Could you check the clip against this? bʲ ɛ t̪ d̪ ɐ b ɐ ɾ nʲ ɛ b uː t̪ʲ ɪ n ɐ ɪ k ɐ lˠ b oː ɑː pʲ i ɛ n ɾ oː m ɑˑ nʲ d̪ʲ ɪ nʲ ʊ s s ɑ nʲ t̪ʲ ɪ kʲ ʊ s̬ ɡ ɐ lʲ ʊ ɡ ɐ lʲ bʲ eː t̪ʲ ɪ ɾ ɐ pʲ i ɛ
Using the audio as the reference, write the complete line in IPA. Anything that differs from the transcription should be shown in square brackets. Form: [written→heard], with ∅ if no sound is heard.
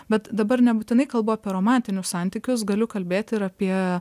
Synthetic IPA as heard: bʲ ɛ t̪ d̪ ɐ b ɐ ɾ nʲ ɛ b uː t̪ʲ ɪ n ɐ ɪ k ɐ lˠ b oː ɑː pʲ i ɛ [n→∅] ɾ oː m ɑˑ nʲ [d̪ʲ→t̪ʲ] ɪ nʲ ʊ s s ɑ nʲ t̪ʲ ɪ kʲ ʊ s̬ ɡ ɐ lʲ ʊ [ɡ→k] ɐ lʲ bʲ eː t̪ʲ ɪ ɾ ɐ pʲ i ɛ